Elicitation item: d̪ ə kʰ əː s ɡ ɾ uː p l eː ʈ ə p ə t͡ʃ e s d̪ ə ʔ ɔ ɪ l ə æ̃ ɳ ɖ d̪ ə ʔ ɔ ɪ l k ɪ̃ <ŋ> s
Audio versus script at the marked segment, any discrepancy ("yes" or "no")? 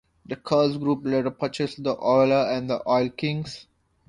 no